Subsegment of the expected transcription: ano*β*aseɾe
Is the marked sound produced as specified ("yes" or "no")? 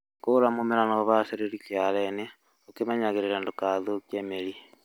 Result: yes